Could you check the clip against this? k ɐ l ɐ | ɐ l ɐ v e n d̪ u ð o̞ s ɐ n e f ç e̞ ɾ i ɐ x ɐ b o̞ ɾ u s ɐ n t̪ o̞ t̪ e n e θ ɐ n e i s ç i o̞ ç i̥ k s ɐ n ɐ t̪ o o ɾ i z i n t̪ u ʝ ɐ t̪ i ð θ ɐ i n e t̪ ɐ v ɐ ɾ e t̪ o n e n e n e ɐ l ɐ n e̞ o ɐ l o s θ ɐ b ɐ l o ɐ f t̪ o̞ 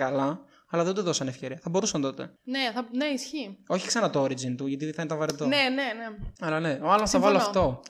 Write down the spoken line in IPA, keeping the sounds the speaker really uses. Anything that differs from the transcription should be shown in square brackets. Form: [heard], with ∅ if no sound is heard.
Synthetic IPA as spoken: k ɐ l ɐ | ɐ l ɐ [ð] e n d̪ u ð o̞ s ɐ n e f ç e̞ ɾ i ɐ [θ] ɐ b o̞ ɾ u s ɐ n t̪ o̞ t̪ e n e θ ɐ n e i s ç i o̞ ç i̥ k s ɐ n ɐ t̪ o o ɾ i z i n t̪ u ʝ ɐ t̪ i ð θ ɐ i n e t̪ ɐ v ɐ ɾ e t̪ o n e n e n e ɐ l ɐ n e̞ o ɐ l o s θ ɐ [v] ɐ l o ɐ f t̪ o̞